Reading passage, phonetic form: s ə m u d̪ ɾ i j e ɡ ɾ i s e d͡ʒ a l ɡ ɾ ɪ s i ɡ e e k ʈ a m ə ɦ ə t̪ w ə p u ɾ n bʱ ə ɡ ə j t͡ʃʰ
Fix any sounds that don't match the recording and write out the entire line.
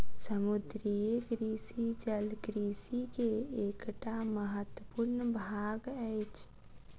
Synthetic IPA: s ə m u d̪ ɾ i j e ɡ ɾ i s i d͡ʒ ə l ɡ ɾ i s i k e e k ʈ a m ə ɦ ə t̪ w ə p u ɾ n bʱ a ɡ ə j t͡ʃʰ

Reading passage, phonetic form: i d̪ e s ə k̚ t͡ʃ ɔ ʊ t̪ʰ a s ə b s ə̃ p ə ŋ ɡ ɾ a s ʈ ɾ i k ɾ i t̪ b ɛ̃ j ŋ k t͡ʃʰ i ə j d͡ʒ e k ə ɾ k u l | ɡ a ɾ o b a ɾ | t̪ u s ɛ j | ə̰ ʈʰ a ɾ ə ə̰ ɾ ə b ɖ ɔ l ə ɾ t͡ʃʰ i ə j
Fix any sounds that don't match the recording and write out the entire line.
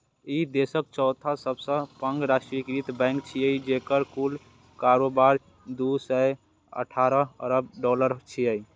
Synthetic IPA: i d̪ e s ə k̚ t͡ʃ ɔ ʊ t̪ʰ a s ə b s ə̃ p ə ŋ ɡ ɾ a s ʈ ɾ i k ɾ i t̪ b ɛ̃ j ŋ k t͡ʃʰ i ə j d͡ʒ e k ə ɾ k u l | k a ɾ o b a ɾ | d̪ u s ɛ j | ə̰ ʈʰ a ɾ ə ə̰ ɾ ə b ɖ ɔ l ə ɾ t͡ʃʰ i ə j

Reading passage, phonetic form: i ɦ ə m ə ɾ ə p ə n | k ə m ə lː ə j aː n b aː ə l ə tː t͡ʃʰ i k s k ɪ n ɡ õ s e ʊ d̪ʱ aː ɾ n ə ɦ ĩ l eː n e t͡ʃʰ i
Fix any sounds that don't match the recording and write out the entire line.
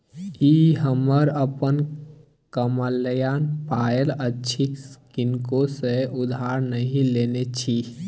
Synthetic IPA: i ɦ ə m ə ɾ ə p ə n | k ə m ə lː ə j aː n p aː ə l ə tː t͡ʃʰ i k s k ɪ n k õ s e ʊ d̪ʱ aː ɾ n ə ɦ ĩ l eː n e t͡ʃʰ i

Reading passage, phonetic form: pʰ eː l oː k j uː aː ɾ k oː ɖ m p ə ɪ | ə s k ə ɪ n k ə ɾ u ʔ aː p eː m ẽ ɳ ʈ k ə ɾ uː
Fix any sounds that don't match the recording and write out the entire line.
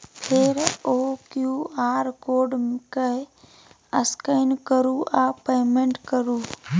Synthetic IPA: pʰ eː ɾ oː k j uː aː ɾ k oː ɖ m k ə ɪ | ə s k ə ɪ n k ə ɾ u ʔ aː p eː m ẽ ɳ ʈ k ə ɾ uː

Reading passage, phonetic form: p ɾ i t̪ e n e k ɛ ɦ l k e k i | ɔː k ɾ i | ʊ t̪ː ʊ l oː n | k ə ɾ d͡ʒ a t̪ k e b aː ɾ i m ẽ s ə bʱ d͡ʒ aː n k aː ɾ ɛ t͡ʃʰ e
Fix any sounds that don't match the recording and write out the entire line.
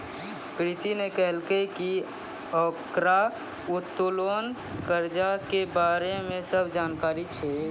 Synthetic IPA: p ɾ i t̪ i n e k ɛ ɦ l k e k i | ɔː k ɾ a | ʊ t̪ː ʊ l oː n | k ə ɾ d͡ʒ a k e b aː ɾ e m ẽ s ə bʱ d͡ʒ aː n k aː ɾ i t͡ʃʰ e

